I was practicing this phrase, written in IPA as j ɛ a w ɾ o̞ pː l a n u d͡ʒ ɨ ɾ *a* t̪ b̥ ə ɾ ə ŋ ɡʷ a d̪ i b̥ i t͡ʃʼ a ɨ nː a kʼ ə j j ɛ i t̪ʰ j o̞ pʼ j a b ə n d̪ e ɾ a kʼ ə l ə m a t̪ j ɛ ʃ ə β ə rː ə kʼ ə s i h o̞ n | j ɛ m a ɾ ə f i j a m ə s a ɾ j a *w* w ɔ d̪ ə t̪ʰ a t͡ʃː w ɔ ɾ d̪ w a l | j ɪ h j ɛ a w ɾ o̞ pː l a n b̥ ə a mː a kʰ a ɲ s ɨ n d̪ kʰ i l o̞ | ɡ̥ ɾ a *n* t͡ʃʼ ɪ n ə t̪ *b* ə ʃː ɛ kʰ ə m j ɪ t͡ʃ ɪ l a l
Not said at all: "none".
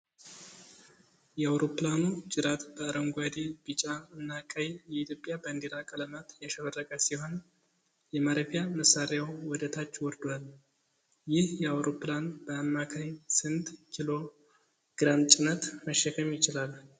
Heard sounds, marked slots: a, w, m, m

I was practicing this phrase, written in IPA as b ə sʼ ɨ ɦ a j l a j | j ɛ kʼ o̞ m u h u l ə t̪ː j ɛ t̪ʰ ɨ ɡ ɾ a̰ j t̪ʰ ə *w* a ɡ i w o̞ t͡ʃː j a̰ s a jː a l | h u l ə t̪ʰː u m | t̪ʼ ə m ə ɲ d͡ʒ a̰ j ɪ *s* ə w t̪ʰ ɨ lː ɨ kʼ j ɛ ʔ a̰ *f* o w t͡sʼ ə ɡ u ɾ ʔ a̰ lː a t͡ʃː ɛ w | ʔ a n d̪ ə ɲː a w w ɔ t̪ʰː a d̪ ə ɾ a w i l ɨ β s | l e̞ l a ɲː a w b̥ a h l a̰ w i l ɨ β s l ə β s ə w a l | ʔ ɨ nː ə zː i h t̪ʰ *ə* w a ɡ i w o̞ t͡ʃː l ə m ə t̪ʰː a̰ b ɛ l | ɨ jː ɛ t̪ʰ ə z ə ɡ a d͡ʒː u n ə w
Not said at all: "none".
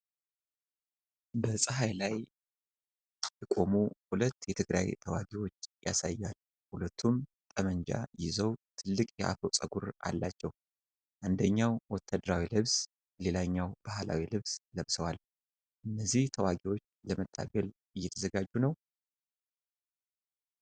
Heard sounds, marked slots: w, z, f, ə

